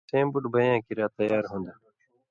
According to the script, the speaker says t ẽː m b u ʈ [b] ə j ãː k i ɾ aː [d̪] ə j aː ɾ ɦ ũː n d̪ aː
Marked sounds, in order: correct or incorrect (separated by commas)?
correct, incorrect